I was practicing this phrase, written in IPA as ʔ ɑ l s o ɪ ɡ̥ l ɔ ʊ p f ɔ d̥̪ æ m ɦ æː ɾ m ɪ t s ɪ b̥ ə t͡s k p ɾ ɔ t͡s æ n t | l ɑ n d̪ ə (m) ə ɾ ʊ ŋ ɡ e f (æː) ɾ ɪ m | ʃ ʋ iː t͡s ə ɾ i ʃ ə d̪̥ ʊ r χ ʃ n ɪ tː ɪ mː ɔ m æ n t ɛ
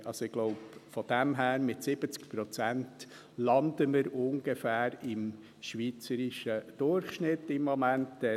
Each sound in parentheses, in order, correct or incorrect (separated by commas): correct, correct